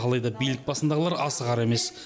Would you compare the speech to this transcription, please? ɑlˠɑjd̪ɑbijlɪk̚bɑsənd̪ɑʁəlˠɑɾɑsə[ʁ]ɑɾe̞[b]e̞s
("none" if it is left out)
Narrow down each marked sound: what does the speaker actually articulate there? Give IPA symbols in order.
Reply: ʁ, m

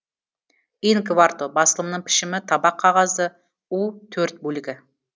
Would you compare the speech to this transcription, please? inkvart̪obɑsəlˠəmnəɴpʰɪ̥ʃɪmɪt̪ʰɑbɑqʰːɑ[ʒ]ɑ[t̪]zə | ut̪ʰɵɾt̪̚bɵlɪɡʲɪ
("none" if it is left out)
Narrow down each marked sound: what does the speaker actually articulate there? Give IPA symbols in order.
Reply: ʁ, none

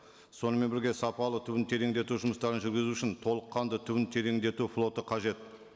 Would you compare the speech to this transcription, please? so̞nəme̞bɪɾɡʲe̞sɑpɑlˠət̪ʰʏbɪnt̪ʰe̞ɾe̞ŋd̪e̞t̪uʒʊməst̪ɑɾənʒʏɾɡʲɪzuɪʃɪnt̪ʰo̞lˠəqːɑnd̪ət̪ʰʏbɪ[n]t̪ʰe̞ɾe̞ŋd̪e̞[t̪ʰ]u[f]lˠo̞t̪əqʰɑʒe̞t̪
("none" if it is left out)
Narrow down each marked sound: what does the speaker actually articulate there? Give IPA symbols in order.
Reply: n, t̪, f

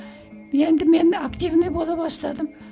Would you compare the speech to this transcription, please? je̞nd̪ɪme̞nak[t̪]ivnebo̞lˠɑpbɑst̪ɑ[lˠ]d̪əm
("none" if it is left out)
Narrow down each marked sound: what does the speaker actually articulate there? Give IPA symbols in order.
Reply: t̪, none

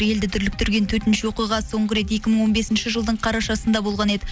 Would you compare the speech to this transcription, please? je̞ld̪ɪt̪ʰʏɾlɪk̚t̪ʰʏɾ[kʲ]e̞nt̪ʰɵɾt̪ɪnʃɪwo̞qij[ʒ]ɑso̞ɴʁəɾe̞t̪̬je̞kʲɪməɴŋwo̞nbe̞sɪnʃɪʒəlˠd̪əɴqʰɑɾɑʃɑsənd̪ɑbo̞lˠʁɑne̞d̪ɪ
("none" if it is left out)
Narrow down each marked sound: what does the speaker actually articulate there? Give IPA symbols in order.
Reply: ɡʲ, ʁ

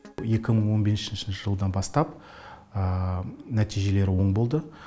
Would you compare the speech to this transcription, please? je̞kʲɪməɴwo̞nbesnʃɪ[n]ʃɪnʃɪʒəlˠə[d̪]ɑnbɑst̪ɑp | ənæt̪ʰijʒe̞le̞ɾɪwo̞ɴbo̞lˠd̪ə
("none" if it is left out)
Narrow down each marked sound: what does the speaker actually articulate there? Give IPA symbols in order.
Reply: n, d̪

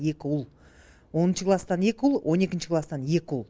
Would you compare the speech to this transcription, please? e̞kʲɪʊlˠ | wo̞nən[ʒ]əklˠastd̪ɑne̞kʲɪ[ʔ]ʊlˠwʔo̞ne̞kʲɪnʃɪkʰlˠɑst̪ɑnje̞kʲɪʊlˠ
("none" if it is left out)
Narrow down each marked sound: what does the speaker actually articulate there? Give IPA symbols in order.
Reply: ʃ, none

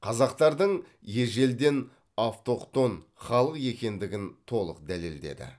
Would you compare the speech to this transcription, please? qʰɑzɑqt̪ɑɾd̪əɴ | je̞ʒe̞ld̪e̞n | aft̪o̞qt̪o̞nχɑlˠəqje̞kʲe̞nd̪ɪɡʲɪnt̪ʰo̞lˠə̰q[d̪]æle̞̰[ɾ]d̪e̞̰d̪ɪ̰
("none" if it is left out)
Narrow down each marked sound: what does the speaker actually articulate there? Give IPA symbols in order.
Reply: d̪, l

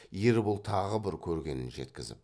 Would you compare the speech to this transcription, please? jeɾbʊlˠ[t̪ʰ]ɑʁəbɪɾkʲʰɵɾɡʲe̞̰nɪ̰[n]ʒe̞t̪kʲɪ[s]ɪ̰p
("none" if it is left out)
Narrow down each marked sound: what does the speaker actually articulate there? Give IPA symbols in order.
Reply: t̪ʰ, n, z

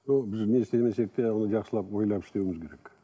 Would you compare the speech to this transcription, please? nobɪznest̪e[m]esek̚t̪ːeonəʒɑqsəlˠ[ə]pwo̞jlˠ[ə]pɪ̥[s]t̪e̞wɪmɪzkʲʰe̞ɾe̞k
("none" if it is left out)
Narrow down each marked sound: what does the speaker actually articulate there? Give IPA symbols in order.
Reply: m, ɑ, ɑ, ʃ

